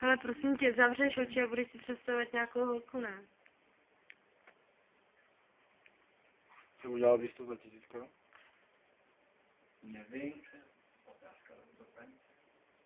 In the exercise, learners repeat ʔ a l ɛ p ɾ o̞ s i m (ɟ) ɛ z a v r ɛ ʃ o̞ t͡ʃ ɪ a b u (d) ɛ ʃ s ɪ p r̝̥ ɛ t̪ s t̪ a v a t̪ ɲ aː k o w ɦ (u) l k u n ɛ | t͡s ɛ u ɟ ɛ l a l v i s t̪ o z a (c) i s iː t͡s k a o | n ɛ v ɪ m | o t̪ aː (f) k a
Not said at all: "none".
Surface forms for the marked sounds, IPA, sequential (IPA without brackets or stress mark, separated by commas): c, d, o, c, s